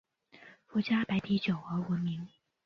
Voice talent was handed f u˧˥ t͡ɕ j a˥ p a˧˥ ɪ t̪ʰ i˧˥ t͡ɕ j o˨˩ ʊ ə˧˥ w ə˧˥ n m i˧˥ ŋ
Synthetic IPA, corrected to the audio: f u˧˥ t͡ɕ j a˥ p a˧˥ ɪ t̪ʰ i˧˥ t͡ɕ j o˨˩ ʊ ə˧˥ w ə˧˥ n m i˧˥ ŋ